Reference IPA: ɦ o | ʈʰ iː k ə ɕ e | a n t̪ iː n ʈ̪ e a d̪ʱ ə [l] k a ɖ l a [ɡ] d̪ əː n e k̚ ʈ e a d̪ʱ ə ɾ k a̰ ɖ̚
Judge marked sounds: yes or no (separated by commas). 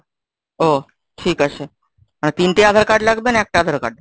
no, yes